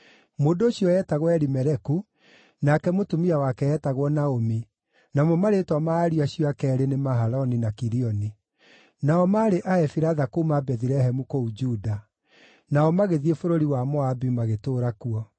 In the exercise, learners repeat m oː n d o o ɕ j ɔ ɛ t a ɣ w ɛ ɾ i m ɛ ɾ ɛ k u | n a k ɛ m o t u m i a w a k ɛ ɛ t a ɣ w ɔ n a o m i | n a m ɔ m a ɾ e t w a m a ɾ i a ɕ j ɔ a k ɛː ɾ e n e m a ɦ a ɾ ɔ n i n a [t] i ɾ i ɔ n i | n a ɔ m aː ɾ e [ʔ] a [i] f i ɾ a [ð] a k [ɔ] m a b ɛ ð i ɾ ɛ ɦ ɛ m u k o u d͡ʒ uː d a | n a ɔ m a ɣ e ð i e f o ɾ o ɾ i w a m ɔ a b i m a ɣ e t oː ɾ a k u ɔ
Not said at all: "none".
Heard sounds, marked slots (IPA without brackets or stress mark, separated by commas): k, ʔ, ɛ, ð, o